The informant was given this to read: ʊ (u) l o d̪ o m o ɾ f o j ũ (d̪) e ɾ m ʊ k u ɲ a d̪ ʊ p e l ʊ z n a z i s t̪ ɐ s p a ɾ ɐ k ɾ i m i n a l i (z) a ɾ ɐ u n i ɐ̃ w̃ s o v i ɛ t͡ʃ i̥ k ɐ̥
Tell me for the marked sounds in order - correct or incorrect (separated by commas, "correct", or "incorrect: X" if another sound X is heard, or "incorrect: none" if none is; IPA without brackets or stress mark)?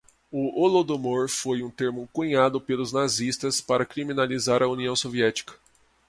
incorrect: o, incorrect: t̪, correct